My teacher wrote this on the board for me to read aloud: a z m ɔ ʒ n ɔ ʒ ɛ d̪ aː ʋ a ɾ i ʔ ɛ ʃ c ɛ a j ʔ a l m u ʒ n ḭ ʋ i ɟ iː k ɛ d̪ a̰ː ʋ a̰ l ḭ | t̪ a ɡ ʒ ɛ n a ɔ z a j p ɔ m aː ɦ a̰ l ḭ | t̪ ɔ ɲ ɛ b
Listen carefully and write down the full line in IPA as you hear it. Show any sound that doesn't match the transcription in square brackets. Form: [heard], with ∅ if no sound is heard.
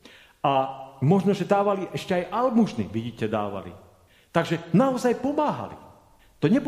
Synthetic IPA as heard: a [∅] m ɔ ʒ n ɔ ʒ ɛ d̪ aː ʋ a [l] i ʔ ɛ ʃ c ɛ a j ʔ a l m u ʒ n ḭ ʋ i ɟ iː [c] ɛ d̪ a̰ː ʋ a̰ l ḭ | t̪ a ɡ ʒ ɛ n a ɔ z a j p ɔ m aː ɦ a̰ l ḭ | t̪ ɔ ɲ ɛ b